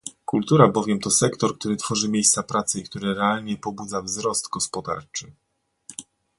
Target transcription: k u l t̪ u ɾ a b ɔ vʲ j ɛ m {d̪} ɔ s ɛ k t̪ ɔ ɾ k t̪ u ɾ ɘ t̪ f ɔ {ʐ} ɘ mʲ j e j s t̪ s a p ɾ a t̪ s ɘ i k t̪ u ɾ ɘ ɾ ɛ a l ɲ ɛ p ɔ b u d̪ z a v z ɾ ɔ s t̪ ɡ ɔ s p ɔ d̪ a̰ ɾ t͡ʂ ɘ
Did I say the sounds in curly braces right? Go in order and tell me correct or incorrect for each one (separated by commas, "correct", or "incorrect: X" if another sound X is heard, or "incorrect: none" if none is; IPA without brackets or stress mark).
incorrect: t̪, correct